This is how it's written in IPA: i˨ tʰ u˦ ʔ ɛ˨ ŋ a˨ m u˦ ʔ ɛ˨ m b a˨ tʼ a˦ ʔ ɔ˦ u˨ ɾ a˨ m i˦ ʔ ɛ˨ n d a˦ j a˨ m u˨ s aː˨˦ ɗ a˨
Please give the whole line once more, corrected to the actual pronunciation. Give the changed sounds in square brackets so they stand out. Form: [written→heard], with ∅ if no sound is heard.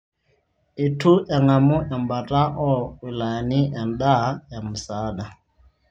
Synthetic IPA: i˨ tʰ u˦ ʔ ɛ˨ ŋ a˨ m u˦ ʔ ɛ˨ m b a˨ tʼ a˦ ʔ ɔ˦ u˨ [ɾ→l] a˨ [m→n] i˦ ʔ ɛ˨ n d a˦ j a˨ m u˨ s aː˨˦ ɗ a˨